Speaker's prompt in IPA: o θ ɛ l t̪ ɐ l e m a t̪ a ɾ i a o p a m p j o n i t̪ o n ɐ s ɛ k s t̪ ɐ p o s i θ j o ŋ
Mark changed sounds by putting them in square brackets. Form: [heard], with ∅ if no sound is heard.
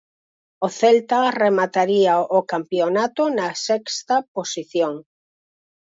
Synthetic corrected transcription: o θ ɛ l t̪ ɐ [r] e m a t̪ a ɾ i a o [k] a m p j o n [a] t̪ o n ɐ s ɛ k s t̪ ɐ p o s i θ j o ŋ